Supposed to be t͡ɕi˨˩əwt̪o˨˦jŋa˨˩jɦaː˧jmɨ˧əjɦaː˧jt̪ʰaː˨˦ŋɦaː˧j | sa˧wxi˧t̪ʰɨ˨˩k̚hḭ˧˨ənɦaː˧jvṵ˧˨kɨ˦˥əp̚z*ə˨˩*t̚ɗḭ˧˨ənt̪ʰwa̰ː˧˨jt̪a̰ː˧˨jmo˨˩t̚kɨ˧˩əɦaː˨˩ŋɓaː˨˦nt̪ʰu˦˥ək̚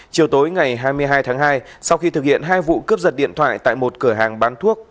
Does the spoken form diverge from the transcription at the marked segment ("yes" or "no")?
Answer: no